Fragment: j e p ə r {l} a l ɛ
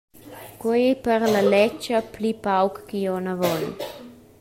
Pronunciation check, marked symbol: correct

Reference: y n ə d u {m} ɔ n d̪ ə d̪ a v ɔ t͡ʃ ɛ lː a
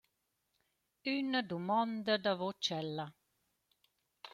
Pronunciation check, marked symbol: correct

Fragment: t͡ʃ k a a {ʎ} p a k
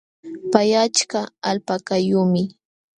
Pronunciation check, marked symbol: incorrect: l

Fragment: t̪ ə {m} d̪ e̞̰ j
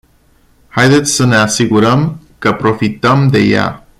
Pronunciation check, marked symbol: correct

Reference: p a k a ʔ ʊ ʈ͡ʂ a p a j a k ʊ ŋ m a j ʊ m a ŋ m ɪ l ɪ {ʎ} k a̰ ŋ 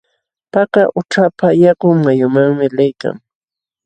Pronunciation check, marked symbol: incorrect: j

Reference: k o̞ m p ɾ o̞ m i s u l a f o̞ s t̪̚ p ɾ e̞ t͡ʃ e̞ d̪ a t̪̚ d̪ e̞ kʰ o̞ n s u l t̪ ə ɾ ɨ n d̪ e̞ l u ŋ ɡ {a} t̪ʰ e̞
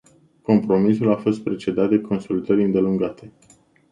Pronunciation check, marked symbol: correct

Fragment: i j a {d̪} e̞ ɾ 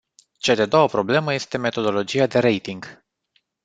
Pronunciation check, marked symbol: correct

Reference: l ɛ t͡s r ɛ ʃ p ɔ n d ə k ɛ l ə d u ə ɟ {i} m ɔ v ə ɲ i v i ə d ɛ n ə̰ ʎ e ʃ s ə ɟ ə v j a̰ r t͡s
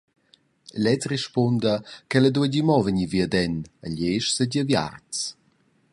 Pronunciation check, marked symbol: correct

